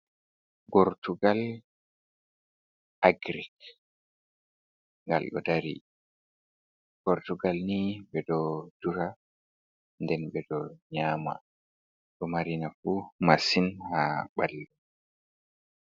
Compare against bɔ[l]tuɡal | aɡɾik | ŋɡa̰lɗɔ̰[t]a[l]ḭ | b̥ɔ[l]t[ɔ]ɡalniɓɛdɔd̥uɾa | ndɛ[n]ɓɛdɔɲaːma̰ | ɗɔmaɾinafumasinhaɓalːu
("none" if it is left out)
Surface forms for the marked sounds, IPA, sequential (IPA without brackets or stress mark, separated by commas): ɾ, d, ɾ, ɾ, u, n